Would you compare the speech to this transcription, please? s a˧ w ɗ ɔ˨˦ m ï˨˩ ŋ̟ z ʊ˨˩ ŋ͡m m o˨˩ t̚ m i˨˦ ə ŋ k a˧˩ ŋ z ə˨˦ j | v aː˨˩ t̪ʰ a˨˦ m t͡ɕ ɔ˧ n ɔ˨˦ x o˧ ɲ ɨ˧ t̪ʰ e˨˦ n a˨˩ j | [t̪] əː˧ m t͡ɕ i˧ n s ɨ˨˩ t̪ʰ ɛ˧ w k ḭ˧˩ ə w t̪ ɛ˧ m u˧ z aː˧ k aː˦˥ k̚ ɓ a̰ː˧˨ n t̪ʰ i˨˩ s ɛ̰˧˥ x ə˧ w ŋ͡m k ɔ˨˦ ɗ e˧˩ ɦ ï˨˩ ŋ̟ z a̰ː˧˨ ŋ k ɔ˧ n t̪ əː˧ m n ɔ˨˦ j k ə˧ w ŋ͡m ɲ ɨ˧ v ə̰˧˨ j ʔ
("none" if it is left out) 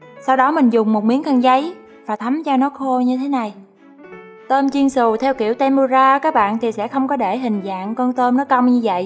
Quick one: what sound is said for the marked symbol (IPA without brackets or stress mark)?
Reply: t̪